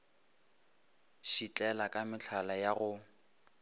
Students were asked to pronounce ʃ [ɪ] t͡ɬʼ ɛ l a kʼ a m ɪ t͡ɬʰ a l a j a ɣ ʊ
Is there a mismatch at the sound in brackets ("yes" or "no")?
yes